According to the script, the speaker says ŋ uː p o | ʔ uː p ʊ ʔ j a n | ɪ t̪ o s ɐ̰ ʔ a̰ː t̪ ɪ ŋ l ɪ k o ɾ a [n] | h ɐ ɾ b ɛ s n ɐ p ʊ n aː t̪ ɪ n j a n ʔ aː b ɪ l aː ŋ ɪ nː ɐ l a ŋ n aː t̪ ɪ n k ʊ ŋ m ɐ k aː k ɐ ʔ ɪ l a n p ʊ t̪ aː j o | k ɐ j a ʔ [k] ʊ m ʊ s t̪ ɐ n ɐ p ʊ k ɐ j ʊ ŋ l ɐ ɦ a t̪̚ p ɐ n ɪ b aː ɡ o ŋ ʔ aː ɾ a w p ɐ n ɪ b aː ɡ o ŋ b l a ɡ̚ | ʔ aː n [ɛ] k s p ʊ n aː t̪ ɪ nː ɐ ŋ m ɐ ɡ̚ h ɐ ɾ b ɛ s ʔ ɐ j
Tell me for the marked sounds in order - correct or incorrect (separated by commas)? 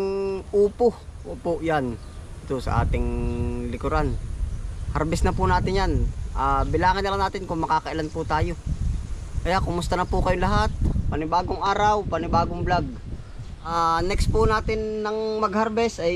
correct, correct, correct